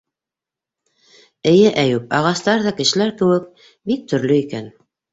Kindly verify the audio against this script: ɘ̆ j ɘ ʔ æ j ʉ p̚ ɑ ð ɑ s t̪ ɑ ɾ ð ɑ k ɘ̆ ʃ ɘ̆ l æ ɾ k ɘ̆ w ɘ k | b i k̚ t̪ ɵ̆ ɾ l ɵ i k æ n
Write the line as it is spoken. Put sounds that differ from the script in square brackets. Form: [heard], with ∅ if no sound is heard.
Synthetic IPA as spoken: ɘ̆ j ɘ ʔ æ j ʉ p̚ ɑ [ʁ] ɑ s t̪ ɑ ɾ ð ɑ k ɘ̆ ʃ ɘ̆ l æ ɾ k ɘ̆ w ɘ k | b i k̚ t̪ ɵ̆ ɾ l ɵ i k æ n